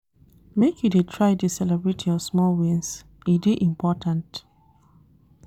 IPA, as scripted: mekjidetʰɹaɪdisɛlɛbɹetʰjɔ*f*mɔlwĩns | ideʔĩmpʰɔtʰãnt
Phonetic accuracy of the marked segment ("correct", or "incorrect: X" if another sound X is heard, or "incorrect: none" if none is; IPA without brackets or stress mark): incorrect: s